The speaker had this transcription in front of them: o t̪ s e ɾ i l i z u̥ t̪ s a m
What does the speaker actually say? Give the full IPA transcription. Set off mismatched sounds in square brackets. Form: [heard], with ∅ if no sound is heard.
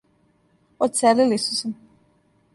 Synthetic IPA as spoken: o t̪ s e [l] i l i [s] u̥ [∅] s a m